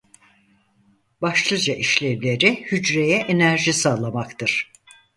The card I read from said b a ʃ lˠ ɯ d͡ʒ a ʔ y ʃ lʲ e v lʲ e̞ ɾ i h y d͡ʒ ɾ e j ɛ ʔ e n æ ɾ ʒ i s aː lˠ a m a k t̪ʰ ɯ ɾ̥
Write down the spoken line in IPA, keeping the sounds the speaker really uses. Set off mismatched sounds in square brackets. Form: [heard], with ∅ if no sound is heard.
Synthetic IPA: b a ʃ lˠ ɯ d͡ʒ a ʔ [i] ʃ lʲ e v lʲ e̞ ɾ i h y d͡ʒ ɾ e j ɛ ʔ e n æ ɾ ʒ i s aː lˠ a m a k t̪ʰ ɯ ɾ̥